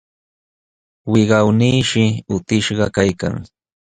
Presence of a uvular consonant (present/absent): present